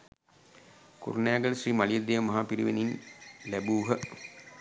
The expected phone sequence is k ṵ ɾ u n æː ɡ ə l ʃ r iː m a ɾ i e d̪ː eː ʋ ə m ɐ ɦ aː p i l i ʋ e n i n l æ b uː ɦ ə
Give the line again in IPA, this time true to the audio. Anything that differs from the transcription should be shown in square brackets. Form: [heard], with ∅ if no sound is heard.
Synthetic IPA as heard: k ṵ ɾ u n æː ɡ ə l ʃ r iː m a [l] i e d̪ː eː ʋ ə m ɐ ɦ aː p i [ɾ] i ʋ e n i n l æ b uː ɦ ə